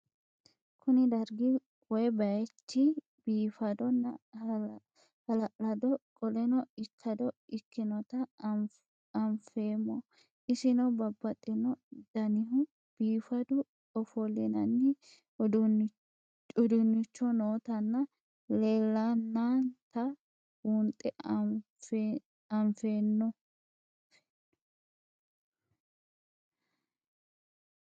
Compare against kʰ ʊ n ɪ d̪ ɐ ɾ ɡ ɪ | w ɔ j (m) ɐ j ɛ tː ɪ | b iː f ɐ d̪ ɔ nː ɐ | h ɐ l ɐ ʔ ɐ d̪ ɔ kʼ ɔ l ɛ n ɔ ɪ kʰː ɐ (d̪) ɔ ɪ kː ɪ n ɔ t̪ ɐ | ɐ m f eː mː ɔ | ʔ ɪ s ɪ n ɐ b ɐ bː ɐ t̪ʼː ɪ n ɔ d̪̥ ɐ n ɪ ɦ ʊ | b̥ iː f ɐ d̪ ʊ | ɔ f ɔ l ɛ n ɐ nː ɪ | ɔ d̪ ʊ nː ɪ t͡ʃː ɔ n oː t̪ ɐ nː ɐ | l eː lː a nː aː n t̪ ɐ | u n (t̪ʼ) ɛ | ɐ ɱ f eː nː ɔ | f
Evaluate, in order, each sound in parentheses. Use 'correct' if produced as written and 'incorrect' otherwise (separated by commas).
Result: incorrect, correct, correct